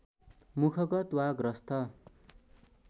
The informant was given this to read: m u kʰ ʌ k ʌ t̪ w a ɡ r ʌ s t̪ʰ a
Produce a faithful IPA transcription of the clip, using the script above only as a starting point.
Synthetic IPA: m u kʰ ʌ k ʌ t̪ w a ɡ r ʌ s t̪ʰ ʌ